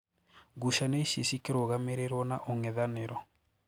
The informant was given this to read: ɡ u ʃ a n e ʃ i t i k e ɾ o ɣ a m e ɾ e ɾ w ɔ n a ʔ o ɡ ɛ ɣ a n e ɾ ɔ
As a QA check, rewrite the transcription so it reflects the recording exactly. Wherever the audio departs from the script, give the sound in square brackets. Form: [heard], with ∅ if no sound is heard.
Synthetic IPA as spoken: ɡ u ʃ a n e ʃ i [s] i k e ɾ o ɣ a m e ɾ e ɾ w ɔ n a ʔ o [ŋ] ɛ [ð] a n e ɾ ɔ